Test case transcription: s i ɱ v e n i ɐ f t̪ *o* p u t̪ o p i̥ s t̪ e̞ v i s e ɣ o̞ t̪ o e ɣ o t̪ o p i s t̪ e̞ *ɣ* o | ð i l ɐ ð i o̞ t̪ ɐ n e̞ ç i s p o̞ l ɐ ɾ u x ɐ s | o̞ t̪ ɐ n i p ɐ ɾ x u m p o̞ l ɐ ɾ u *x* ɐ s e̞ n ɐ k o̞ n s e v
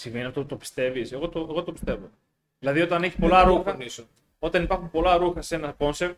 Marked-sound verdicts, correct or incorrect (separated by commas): correct, incorrect, correct